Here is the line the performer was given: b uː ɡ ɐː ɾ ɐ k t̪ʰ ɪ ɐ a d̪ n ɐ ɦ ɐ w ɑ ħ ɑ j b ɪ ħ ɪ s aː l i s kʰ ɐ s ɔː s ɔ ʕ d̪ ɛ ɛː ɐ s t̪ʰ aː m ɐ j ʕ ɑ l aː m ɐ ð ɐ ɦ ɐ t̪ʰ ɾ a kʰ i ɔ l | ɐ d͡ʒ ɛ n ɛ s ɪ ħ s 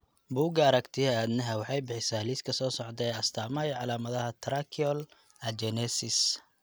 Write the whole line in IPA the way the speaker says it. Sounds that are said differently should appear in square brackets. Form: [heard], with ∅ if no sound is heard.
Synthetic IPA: b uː ɡ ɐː ɾ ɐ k t̪ʰ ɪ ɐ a d̪ n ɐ ɦ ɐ w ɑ ħ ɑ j b ɪ ħ ɪ s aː l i s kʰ ɐ s ɔː s ɔ ʕ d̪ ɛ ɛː ɐ s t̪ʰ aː m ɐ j ʕ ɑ l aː m ɐ ð ɐ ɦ ɐ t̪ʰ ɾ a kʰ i ɔ l | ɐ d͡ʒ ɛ n ɛ s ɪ [∅] s